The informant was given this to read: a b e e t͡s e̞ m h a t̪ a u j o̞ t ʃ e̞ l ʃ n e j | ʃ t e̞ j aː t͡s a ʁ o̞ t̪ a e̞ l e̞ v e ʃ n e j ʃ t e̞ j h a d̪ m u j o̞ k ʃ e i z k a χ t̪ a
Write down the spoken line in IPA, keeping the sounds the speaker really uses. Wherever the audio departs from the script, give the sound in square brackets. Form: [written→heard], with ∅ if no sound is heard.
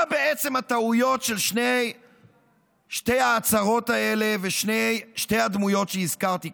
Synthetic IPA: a b e e t͡s e̞ m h a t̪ a u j o̞ t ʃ e̞ l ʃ n e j | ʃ t e̞ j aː t͡s a ʁ o̞ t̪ a e̞ l e̞ v e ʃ n e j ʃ t e̞ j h a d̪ m u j o̞ [k→t] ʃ e i z k a [χ→ʁ] t̪ [a→i]

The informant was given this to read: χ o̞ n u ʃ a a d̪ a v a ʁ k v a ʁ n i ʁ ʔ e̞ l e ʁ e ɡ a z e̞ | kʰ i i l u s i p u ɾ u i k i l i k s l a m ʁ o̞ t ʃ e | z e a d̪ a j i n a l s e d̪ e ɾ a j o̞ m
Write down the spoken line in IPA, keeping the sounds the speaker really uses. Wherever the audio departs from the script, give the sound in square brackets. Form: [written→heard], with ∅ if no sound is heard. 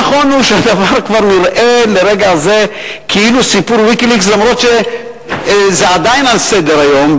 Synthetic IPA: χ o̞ n u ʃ [a→e] a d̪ a v a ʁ k v a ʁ n i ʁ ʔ e̞ l e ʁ e ɡ a z e̞ | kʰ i i l u s i p u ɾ [u→w] i k i l i k s l a m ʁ o̞ t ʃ e | z e a d̪ a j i n a l s e d̪ e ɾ a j o̞ m

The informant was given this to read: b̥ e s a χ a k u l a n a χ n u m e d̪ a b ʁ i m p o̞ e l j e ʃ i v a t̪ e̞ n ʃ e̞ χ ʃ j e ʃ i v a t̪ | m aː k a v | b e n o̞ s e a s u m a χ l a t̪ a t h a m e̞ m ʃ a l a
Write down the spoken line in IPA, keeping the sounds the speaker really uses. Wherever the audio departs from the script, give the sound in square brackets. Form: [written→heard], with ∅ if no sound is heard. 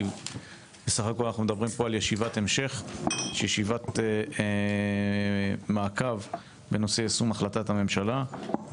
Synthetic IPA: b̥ e s a χ a k [u→o] l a n a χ n u m e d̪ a b ʁ i m p o̞ [e→a] l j e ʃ i v a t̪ e̞ [n→m] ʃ e̞ χ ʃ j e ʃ i v a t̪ | m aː k a v | b e n o̞ s e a s u m a χ l a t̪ a t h a m e̞ m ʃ a l a

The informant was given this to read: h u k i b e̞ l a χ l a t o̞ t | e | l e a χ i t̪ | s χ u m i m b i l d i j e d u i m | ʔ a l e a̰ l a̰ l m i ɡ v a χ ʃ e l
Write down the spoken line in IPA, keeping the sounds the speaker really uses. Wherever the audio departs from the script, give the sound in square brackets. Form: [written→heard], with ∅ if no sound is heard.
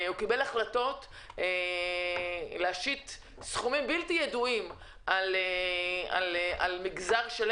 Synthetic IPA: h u k i b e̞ l a χ l a t o̞ t | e | l e a [χ→ʃ] i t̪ | s χ u m i m b i l [d→t] i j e d u i m | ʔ a l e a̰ l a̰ l m i ɡ [v→z] a [χ→ʁ] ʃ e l

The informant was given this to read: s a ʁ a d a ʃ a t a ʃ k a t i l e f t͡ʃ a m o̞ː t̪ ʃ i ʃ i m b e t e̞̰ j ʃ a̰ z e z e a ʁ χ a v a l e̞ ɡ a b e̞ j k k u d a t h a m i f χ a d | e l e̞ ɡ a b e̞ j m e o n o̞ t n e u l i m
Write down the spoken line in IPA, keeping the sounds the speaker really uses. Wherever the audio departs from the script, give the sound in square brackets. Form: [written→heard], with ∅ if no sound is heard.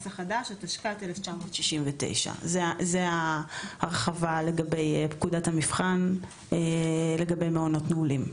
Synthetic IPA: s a [ʁ→χ] a d a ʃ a t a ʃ k a t [i→e] l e f t͡ʃ a m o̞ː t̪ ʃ i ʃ i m [b→v] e t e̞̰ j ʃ a̰ z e z e a ʁ χ a v a l e̞ ɡ a b e̞ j [k→p] k u d a t h a m i f χ a [d→n] | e l e̞ ɡ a b e̞ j m e o n o̞ t n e u l i m

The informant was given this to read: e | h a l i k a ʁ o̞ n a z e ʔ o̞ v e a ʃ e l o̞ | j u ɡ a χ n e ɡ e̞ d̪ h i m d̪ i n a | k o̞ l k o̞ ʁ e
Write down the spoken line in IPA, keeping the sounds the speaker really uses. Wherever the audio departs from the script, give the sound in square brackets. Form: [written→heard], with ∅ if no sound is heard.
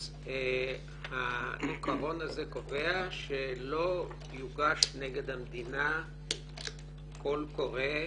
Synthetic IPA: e | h a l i k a ʁ o̞ n a z e [ʔ→k] o̞ v e a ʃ e l o̞ | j u ɡ a [χ→ʃ] n e ɡ e̞ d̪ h [i→a] m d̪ i n a | k o̞ l k o̞ ʁ e

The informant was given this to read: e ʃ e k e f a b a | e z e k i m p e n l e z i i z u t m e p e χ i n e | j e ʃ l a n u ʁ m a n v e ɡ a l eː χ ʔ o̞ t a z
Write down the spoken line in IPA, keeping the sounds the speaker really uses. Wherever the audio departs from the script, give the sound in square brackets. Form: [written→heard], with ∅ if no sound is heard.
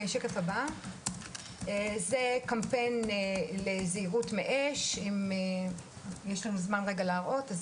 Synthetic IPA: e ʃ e k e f a b a | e z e k [i→a] m p e n l e z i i [z→ʁ] u t m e [p→ʔ] e [χ→ʃ] i [n→m] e | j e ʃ l a n u [ʁ→z] m a n [v→ʁ] e ɡ a l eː [χ→ʁ] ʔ o̞ t a z

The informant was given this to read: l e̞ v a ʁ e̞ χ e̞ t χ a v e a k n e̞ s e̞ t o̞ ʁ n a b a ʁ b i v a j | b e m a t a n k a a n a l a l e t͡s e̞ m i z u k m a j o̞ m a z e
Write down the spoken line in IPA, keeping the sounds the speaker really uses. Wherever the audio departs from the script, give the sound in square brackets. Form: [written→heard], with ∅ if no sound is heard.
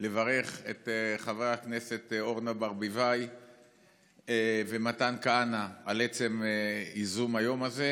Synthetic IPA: l e̞ v a ʁ e̞ χ e̞ t χ a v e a k n e̞ s e̞ t o̞ ʁ n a b a ʁ b i v a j | [b→v] e m a t a n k a a n a [l→∅] a l e t͡s e̞ m i z u [k→∅] m a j o̞ m a z e

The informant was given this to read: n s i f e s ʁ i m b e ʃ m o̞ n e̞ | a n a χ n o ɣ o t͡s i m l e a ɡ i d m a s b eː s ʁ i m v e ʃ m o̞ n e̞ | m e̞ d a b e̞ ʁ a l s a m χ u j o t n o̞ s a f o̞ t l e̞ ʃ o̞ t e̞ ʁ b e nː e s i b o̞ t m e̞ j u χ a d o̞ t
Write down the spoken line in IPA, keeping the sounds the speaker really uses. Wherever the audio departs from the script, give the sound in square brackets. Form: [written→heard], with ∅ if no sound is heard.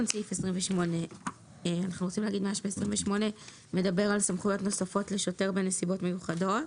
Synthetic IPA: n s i f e s ʁ i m [b→v] e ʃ m o̞ n e̞ | a n a χ n [o→u] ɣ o t͡s i m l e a ɡ i d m a [s→ʃ] b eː s ʁ i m v e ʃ m o̞ n e̞ | m e̞ d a b e̞ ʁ a l s a m χ u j o t n o̞ s a f o̞ t l e̞ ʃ o̞ t e̞ ʁ b e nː e s i b o̞ t m e̞ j u χ a d o̞ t

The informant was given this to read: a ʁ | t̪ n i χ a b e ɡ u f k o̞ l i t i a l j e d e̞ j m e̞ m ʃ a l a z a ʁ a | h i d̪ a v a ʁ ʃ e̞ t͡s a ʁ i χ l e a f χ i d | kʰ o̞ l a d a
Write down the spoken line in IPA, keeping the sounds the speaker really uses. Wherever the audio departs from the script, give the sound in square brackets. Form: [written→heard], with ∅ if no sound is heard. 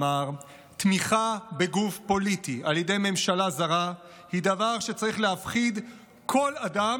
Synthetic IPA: a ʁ | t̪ [n→m] i χ a b e ɡ u f [k→p] o̞ l i t i a l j e d e̞ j m e̞ m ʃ a l a z a ʁ a | h i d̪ a v a ʁ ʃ e̞ t͡s a ʁ i χ l e a f χ i d | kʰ o̞ l a d a

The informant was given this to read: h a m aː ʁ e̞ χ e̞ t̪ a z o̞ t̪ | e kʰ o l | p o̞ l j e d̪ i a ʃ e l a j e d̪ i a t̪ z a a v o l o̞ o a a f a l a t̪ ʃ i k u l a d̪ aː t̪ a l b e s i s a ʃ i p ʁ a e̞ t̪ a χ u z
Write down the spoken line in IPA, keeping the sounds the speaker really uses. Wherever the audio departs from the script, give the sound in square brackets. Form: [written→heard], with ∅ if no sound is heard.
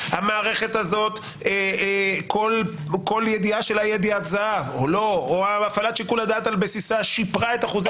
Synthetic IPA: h a m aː ʁ e̞ χ e̞ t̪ a z o̞ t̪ | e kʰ o l | [p→k] o̞ l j e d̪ i a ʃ e l a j e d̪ i a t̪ z a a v o l o̞ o a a f a l a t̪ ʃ i k u l a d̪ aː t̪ a l b e s i s a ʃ i p ʁ a e̞ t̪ a χ u z

